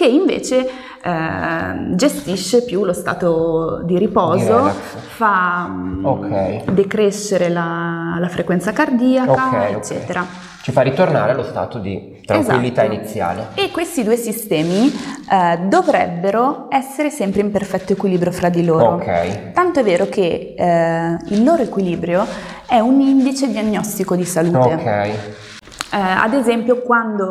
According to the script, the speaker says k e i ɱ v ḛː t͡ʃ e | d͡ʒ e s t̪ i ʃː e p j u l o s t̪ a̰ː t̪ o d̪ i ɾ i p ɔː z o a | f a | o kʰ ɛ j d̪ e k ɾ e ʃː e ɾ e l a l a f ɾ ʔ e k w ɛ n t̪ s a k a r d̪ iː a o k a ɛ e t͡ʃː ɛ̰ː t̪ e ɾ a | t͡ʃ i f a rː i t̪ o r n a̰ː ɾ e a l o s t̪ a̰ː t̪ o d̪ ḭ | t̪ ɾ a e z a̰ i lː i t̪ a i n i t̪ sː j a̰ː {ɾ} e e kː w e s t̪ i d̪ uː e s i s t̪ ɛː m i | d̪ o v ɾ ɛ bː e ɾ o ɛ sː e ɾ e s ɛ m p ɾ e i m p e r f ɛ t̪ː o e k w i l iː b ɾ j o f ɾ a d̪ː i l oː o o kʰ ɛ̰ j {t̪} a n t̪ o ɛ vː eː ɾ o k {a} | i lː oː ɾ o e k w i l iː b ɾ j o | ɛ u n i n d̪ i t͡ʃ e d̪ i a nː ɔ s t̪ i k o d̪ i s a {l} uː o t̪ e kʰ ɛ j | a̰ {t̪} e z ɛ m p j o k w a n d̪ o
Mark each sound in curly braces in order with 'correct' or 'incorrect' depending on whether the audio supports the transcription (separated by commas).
incorrect, correct, incorrect, correct, incorrect